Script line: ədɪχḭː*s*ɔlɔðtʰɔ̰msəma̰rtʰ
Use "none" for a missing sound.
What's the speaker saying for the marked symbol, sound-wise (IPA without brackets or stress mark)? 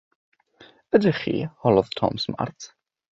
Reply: h